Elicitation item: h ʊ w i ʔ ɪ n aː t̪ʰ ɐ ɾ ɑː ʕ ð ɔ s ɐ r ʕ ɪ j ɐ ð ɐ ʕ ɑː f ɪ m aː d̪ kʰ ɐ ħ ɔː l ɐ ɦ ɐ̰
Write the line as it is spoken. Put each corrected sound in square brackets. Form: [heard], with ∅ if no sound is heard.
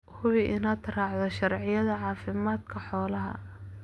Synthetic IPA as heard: h ʊ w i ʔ ɪ n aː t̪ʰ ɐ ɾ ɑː ʕ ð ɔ [ʃ] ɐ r ʕ ɪ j ɐ ð ɐ ʕ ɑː f ɪ m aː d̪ kʰ ɐ ħ ɔː l ɐ ɦ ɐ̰